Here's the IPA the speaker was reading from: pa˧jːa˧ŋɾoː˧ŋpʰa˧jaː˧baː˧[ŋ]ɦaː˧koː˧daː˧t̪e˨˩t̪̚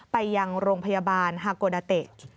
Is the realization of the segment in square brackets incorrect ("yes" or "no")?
yes